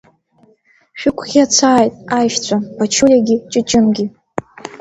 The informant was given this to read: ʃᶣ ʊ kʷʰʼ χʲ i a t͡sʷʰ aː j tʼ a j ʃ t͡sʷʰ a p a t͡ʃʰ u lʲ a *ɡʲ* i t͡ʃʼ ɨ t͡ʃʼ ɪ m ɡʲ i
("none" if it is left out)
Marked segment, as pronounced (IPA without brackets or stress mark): ɡʲ